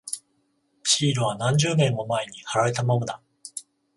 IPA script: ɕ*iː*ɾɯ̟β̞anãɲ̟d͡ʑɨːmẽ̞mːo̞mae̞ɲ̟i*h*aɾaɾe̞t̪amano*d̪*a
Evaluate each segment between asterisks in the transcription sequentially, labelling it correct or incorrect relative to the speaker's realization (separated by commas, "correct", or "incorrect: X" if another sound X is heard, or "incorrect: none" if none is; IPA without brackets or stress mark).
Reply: correct, correct, correct